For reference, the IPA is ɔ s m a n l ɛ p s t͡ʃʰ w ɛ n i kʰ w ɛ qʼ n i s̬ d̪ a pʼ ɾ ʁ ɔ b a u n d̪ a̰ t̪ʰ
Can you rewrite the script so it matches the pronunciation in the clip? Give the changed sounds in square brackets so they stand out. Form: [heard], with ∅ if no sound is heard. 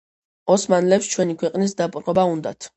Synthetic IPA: ɔ s m a n l ɛ p s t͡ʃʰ w ɛ n i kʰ w ɛ qʼ n i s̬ d̪ a pʼ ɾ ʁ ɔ b a u n d̪ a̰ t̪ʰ